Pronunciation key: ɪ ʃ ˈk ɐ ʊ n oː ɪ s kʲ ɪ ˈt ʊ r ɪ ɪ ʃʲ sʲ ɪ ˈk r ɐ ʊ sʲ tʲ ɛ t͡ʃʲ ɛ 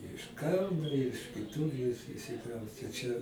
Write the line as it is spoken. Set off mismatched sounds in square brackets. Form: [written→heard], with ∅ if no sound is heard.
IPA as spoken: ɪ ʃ ˈk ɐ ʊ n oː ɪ [s→ʃ] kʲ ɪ ˈt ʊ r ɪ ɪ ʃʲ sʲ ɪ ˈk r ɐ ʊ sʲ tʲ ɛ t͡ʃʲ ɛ

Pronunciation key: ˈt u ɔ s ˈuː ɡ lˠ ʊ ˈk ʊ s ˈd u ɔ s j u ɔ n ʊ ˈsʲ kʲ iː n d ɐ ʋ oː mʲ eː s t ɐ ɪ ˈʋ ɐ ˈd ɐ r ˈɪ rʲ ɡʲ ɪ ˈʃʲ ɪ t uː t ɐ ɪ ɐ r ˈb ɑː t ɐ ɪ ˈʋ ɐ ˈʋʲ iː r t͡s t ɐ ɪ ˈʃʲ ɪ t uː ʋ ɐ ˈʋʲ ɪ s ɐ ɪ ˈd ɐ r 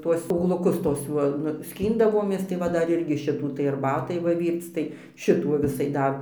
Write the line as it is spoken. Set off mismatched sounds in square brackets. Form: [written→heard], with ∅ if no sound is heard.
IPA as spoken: ˈt u ɔ s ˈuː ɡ lˠ ʊ ˈk ʊ s [ˈd→ˈt] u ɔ s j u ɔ n ʊ ˈsʲ kʲ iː n d ɐ ʋ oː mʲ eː s t ɐ ɪ ˈʋ ɐ ˈd ɐ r ˈɪ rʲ ɡʲ ɪ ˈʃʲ ɪ t uː t ɐ ɪ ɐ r ˈb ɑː t ɐ ɪ ˈʋ ɐ ˈʋʲ iː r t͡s t ɐ ɪ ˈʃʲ ɪ t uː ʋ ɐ ˈʋʲ ɪ s ɐ ɪ ˈd ɐ r

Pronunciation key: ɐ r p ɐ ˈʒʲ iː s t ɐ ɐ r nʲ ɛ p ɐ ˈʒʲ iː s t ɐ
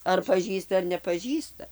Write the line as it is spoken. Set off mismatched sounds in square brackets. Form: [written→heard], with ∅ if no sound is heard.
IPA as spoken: ɐ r p ɐ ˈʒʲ iː s t ɐ ɐ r nʲ ɛ p ɐ ˈʒʲ iː s t ɐ

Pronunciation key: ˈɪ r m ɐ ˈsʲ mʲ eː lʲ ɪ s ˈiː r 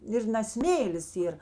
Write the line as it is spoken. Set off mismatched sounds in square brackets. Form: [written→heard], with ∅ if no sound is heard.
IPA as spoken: ˈɪ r [m→n] ɐ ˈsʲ mʲ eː lʲ ɪ s ˈiː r

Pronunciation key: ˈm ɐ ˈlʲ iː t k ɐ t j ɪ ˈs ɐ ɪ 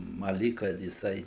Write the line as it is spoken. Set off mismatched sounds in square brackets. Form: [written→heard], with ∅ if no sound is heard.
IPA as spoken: ˈm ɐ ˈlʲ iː [t→k] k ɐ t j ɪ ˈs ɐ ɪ

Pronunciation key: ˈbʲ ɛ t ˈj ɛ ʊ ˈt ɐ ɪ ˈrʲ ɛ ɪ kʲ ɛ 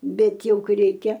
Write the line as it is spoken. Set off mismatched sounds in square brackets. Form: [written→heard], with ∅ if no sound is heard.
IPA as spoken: ˈbʲ ɛ t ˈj ɛ ʊ [ˈt→ˈk] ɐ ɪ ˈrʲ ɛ ɪ kʲ ɛ

